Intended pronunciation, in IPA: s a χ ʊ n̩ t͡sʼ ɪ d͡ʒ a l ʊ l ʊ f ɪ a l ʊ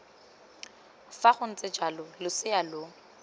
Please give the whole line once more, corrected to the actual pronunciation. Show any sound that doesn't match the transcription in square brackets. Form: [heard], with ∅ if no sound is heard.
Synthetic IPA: [f] a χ ʊ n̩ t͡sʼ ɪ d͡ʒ a l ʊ l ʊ [s] ɪ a l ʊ